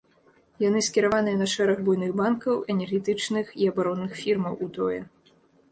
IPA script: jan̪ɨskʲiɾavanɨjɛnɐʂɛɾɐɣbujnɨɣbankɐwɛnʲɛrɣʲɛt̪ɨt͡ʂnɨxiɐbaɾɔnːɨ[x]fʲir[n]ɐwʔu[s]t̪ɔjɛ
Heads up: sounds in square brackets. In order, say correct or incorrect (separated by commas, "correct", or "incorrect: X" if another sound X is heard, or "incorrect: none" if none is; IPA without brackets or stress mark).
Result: correct, incorrect: m, incorrect: none